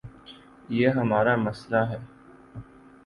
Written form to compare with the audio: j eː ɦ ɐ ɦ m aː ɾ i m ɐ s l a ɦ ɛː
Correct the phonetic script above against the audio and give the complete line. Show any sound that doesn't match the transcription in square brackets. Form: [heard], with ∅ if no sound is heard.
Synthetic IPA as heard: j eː ɦ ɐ [∅] m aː ɾ [a] m ɐ s l a ɦ ɛː